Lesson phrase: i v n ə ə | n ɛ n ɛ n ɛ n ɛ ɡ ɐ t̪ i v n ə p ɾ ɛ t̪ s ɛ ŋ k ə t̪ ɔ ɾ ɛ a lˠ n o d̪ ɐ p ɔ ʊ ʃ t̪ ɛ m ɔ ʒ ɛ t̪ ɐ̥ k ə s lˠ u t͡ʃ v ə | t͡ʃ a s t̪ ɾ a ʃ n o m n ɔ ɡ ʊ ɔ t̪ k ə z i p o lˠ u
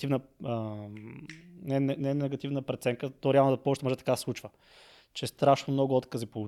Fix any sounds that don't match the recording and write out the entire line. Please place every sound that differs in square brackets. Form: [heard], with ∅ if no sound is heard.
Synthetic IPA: i v n ə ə | n ɛ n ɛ n ɛ n ɛ ɡ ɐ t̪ i v n ə p ɾ ɛ t̪ s ɛ ŋ k ə t̪ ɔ ɾ ɛ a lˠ n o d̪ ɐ p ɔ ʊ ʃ t̪ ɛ m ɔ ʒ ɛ t̪ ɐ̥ k [a] s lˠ u t͡ʃ v ə | t͡ʃ [ɛ] s t̪ ɾ a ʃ n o m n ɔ ɡ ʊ ɔ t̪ k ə z i p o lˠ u